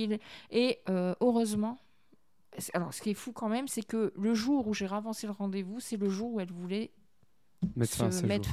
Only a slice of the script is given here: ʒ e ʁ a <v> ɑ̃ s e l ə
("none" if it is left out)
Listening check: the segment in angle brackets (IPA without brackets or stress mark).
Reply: v